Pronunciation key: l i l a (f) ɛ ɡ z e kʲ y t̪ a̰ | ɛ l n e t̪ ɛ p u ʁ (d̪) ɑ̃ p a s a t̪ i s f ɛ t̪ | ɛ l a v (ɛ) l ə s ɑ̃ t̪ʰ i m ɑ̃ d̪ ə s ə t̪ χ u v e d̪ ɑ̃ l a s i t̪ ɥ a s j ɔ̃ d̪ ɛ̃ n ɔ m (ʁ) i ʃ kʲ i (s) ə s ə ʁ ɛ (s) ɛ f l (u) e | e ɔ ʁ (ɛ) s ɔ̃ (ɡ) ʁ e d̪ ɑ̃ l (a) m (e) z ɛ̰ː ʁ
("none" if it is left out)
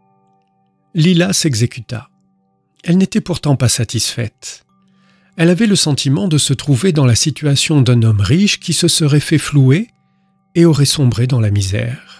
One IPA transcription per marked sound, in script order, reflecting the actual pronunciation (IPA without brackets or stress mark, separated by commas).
s, t̪, ɛ, ʁ, s, f, u, ɛ, b, a, i